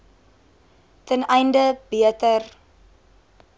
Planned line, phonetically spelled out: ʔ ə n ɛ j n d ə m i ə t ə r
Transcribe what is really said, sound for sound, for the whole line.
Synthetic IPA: t ə n ɛ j n d ə b i ə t ə r